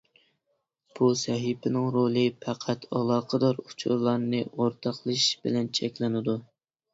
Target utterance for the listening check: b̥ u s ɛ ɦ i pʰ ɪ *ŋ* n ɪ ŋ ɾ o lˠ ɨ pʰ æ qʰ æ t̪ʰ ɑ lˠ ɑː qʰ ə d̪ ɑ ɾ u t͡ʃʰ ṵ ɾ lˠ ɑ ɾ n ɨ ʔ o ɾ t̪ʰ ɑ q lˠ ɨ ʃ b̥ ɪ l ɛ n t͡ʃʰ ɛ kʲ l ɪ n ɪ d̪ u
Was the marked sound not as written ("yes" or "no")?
yes